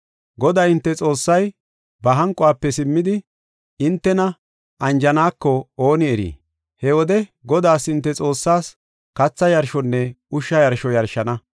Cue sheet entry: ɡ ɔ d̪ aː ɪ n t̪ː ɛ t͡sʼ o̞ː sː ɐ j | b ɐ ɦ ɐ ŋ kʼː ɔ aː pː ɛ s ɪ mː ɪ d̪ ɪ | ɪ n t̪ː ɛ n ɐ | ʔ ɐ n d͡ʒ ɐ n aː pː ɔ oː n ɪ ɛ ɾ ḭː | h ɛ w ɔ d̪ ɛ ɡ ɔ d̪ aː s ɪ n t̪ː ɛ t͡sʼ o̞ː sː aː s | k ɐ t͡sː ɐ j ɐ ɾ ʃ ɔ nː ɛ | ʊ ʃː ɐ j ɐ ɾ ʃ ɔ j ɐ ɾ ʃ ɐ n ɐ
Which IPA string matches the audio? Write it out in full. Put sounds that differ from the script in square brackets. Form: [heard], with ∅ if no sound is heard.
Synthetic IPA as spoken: ɡ ɔ d̪ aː ɪ n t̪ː ɛ t͡sʼ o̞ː sː ɐ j | b ɐ ɦ ɐ ŋ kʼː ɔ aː pː ɛ s ɪ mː ɪ d̪ ɪ | ɪ n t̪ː ɛ n ɐ | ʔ ɐ n d͡ʒ ɐ n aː [kː] ɔ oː n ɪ ɛ ɾ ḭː | h ɛ w ɔ d̪ ɛ ɡ ɔ d̪ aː s ɪ n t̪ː ɛ t͡sʼ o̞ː sː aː s | k ɐ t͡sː ɐ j ɐ ɾ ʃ ɔ nː ɛ | ʊ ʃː ɐ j ɐ ɾ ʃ ɔ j ɐ ɾ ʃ ɐ n ɐ